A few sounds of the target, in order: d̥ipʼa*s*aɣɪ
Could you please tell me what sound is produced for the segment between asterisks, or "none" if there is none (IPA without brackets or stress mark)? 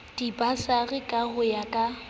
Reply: s